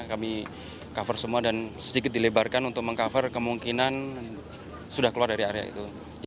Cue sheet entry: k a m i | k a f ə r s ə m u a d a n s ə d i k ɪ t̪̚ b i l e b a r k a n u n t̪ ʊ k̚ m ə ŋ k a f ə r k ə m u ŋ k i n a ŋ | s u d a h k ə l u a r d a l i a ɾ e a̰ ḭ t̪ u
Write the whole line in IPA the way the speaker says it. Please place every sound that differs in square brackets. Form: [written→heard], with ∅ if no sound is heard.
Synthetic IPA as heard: k a m i | k a f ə r s ə m u a d a n s ə d i k ɪ t̪̚ [b→d] i l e b a r k a n u n t̪ ʊ k̚ m ə ŋ k a f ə r k ə m u ŋ k i n a [ŋ→n] | s u d a h k ə l u a r d a [l→ɾ] i a ɾ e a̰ ḭ t̪ u

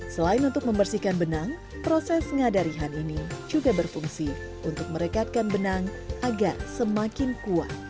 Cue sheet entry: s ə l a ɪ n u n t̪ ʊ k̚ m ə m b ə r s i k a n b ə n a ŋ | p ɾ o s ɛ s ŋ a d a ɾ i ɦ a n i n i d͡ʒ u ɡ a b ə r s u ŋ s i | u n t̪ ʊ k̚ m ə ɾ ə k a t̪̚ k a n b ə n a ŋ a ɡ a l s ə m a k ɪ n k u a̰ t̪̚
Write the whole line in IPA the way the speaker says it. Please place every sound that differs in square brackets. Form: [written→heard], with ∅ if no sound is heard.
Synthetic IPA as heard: s ə l a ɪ n u n t̪ ʊ k̚ m ə m b ə r s i k a n b ə n a ŋ | p ɾ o s ɛ s ŋ a d a ɾ i ɦ a n i n i d͡ʒ u ɡ a b ə r [s→f] u ŋ s i | u n t̪ ʊ k̚ m ə ɾ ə k a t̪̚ k a n b ə n a ŋ a ɡ a [l→r] s ə m a k ɪ n k u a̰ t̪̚

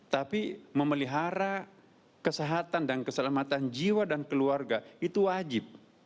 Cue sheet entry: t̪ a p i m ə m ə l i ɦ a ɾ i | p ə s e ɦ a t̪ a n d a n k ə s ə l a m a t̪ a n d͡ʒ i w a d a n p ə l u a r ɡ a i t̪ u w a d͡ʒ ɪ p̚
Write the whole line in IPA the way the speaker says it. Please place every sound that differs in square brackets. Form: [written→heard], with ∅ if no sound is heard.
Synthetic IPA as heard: t̪ a p i m ə m ə l i ɦ a ɾ [i→a] | [p→k] ə s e ɦ a t̪ a n d a n k ə s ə l a m a t̪ a n d͡ʒ i w a d a n [p→k] ə l u a r ɡ a i t̪ u w a d͡ʒ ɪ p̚

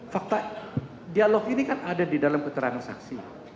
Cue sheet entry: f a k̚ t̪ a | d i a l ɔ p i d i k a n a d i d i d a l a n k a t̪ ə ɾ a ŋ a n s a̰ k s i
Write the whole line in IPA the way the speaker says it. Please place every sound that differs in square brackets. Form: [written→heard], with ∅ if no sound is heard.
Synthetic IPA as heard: f a k̚ t̪ a | d i a l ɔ [p→k] i [d→n] i k a n a d [i→a] d i d a l a [n→m] k [a→ə] t̪ ə ɾ a ŋ a n s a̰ k s i

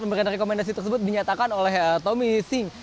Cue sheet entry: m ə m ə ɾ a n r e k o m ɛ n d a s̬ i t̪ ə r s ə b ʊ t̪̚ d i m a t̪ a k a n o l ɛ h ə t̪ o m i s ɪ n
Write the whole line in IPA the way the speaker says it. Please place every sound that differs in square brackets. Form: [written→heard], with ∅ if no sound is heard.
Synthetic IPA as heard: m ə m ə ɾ a n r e k o m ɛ n d a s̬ i t̪ ə r s ə b ʊ t̪̚ d i [m→ɲ] a t̪ a k a n o l ɛ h ə t̪ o m i s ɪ [n→ŋ]

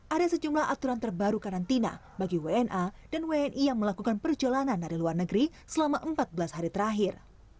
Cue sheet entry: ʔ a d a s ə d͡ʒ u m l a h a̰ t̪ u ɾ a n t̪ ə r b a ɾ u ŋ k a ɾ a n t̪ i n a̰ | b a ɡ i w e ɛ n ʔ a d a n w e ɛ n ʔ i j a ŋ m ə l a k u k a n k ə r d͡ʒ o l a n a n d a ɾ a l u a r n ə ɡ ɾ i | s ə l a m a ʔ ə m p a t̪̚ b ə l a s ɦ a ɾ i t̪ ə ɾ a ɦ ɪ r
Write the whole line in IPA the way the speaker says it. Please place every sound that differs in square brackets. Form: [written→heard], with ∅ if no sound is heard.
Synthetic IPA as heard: ʔ a d a s ə d͡ʒ u m l a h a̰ t̪ u ɾ a n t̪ ə r b a ɾ u [ŋ→∅] k a ɾ a n t̪ i n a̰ | b a ɡ i w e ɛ n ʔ a d a n w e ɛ n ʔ i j a ŋ m ə l a k u k a n [k→p] ə r d͡ʒ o l a n a n d a ɾ [a→i] l u a r n ə ɡ ɾ i | s ə l a m a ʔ ə m p a t̪̚ b ə l a s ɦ a ɾ i t̪ ə ɾ a ɦ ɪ r

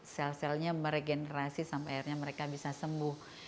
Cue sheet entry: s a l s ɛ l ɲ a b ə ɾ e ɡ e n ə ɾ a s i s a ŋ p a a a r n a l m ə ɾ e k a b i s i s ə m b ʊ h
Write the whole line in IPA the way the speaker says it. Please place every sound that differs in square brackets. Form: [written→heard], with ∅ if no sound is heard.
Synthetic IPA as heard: s [a→ɛ] l s ɛ l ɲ a [b→m] ə ɾ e ɡ e n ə ɾ a s i s a [ŋ→m] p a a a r [n→ɲ] a [l→∅] m ə ɾ e k a b i s [i→a] s ə m b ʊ h

